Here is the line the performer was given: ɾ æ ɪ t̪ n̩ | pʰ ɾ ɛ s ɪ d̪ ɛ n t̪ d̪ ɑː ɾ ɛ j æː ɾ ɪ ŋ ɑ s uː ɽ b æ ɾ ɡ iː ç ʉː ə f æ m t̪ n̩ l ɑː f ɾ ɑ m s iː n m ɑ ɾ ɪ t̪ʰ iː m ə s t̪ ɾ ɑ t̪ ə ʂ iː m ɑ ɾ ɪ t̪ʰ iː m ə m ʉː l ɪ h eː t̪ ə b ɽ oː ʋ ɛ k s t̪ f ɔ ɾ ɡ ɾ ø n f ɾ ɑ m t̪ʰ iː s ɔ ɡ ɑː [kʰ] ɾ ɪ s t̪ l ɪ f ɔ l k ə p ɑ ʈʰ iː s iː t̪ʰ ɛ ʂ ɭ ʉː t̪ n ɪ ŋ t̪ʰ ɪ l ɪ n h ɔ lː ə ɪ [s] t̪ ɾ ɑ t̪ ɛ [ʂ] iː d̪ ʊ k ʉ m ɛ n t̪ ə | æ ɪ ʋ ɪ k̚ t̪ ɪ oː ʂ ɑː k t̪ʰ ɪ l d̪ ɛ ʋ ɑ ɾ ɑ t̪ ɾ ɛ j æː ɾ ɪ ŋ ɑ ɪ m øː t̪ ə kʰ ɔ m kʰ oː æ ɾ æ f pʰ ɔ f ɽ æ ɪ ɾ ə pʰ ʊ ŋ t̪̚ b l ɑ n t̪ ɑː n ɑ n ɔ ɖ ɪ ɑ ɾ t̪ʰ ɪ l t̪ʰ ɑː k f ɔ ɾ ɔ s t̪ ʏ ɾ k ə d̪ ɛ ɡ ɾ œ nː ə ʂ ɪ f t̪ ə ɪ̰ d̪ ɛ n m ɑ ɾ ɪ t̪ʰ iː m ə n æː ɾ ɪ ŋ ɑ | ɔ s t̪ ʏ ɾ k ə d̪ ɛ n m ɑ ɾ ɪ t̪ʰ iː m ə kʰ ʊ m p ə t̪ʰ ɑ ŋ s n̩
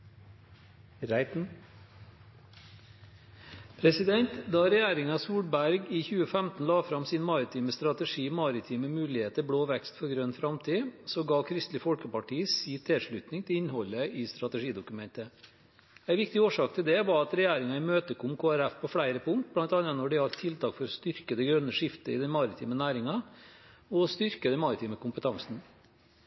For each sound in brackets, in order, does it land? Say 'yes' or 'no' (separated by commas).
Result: yes, yes, yes